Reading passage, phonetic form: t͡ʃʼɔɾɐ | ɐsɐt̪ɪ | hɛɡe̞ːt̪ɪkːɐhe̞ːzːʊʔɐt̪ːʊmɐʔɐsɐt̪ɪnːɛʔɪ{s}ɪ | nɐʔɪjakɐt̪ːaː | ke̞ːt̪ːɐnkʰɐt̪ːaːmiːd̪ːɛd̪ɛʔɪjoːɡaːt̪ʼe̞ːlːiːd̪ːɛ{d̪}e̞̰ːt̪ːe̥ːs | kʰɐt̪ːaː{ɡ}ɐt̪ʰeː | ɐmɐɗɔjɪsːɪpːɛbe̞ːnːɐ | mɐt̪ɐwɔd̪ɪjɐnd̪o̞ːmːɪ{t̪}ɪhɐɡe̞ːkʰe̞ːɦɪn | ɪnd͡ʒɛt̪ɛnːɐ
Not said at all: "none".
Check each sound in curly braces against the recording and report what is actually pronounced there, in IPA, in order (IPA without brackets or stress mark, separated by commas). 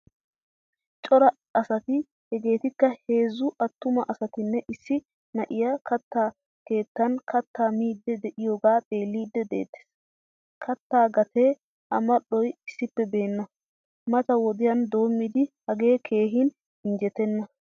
sː, d̪, ɡ, d̪